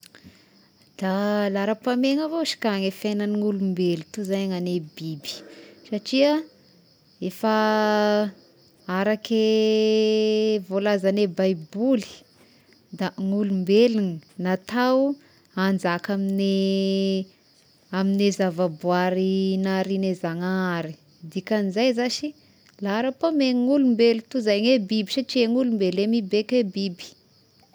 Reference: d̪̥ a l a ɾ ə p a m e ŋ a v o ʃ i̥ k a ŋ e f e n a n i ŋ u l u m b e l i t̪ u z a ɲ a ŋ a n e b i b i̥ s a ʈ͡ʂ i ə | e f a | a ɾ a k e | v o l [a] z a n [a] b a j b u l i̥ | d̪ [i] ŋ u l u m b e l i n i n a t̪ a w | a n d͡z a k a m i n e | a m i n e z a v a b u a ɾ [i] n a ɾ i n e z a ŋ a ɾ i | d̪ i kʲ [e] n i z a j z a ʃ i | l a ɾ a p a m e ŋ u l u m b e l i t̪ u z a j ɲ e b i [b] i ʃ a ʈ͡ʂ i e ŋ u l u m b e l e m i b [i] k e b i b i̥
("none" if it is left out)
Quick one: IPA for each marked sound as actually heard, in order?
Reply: a, e, a, i, a, b, e

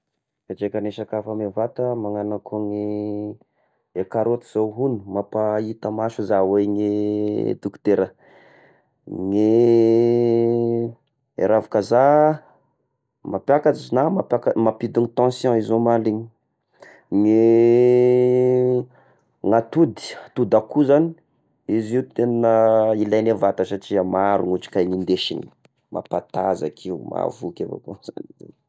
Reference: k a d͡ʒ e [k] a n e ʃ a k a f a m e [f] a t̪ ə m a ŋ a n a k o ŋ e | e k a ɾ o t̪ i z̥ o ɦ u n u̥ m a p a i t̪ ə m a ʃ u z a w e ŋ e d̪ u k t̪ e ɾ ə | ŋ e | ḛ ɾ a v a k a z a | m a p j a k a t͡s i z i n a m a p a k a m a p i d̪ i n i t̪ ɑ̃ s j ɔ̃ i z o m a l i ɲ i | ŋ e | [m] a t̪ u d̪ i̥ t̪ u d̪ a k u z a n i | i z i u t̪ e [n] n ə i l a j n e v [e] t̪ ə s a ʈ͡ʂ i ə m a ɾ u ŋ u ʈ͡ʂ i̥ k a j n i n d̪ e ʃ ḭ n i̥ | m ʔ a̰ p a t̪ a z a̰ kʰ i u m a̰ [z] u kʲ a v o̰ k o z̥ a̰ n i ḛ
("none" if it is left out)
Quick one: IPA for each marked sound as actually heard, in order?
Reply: k, v, ŋ, n, a, v

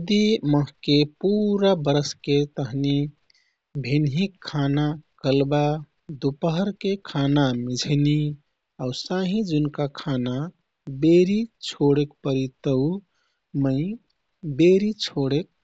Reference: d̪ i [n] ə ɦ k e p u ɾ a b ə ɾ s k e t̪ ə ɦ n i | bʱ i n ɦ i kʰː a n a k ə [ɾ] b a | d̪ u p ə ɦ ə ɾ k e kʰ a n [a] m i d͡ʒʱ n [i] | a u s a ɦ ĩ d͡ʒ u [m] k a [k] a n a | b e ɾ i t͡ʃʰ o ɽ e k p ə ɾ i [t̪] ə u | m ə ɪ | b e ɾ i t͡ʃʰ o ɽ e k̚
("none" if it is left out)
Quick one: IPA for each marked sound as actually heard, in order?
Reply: m, l, a, i, n, kʰ, t̪

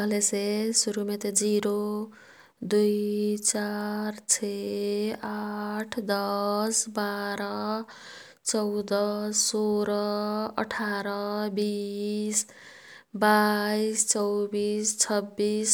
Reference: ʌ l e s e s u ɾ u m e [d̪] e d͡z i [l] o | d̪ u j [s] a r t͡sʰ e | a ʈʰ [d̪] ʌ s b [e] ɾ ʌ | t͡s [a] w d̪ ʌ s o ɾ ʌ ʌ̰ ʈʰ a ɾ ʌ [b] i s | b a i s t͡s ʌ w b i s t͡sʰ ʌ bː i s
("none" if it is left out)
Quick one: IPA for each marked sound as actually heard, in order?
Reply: t̪, ɾ, t͡s, d̪, a, ʌ, b

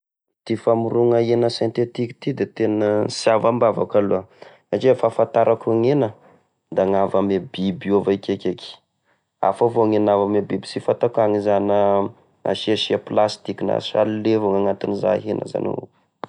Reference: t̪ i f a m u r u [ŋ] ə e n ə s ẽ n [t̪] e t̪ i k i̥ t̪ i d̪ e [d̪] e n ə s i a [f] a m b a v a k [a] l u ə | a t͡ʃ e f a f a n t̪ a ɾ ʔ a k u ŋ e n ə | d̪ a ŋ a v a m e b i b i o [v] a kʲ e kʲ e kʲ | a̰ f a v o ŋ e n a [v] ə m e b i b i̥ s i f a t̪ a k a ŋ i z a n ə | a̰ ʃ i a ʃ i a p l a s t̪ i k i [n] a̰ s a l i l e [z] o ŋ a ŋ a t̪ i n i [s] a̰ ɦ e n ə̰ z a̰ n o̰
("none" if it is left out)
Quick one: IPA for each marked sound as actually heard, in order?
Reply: ŋ, t̪, t̪, v, a, v, v, n, v, z

